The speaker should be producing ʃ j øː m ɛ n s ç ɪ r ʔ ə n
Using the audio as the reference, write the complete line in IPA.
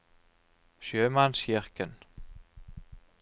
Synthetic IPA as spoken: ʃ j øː m a n s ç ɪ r k ə n